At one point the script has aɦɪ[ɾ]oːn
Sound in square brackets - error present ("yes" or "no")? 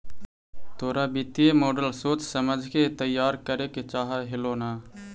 yes